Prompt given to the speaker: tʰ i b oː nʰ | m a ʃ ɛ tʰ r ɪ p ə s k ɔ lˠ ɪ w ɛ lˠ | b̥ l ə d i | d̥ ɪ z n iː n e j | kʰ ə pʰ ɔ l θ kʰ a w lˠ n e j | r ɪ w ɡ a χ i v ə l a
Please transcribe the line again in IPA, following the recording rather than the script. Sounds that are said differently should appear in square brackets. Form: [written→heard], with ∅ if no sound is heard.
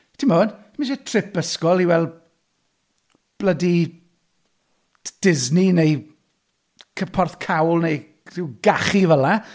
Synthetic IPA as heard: tʰ i [b→m] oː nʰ | m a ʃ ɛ tʰ r ɪ p ə s k ɔ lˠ [ɪ→i] w ɛ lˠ | b̥ l ə d i | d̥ ɪ z n [iː→i] n e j | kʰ ə pʰ ɔ [l→r] θ kʰ a w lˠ n e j | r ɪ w ɡ a χ i v ə l a